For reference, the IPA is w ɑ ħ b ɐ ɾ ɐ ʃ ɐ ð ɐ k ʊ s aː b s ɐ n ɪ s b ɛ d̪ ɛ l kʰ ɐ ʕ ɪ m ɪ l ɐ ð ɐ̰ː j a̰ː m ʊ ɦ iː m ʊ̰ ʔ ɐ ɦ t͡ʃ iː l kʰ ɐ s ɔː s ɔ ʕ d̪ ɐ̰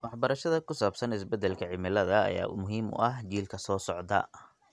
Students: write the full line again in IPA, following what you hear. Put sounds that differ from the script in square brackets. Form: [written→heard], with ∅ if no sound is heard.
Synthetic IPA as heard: w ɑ ħ b ɐ ɾ ɐ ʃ ɐ ð ɐ k ʊ s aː b s ɐ n ɪ s b ɛ d̪ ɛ l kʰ ɐ ʕ ɪ m ɪ l ɐ ð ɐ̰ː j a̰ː m ʊ ɦ iː m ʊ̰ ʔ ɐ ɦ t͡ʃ iː l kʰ ɐ s ɔː s ɔ ʕ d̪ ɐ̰